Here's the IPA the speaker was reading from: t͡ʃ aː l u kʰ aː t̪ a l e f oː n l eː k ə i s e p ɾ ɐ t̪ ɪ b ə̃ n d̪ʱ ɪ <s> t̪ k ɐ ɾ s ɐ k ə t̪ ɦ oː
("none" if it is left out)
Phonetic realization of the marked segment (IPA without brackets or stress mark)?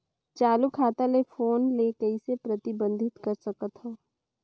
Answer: none